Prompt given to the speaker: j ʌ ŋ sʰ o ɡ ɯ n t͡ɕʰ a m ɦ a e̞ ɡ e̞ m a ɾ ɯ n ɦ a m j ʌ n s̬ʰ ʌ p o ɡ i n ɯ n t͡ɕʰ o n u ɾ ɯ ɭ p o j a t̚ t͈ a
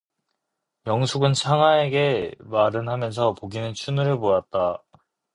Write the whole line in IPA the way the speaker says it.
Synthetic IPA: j ʌ ŋ sʰ u ɡ ɯ n t͡ɕʰ a ŋ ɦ a e̞ ɡ e̞ m a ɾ ɯ n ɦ a m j ʌ n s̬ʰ ʌ p o ɡ i n ɯ n t͡ɕʰ u n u ɾ ɯ ɭ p o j a t̚ t͈ a